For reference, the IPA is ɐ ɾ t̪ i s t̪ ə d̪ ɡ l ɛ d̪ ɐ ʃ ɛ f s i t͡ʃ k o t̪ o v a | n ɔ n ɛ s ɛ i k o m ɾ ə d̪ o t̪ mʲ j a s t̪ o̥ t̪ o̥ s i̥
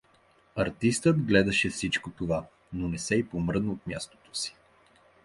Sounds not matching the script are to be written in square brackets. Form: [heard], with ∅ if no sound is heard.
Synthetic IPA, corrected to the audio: ɐ ɾ t̪ i s t̪ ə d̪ ɡ l ɛ d̪ ɐ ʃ ɛ f s i t͡ʃ k o t̪ o v a | n [o] n ɛ s ɛ i [p] o m ɾ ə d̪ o t̪ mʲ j a s t̪ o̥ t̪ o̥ s i̥